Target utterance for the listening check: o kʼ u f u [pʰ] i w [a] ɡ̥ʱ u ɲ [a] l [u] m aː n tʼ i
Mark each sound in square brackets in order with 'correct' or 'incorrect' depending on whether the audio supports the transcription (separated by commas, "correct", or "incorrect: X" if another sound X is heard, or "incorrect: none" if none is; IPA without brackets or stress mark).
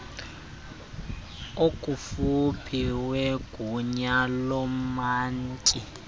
correct, incorrect: e, correct, incorrect: ɔ